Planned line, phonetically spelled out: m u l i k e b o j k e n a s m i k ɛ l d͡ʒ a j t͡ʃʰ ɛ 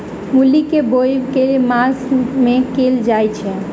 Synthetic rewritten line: m u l i k e b o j k e m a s m e k e l d͡ʒ a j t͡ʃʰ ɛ